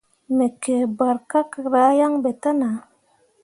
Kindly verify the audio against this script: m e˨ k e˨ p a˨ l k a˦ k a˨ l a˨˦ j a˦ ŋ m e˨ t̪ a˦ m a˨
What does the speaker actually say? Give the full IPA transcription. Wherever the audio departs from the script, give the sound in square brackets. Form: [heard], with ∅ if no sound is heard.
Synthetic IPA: m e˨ k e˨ [b] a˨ [ɾ] k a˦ k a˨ [ɾ] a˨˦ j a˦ ŋ [b] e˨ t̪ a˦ [n] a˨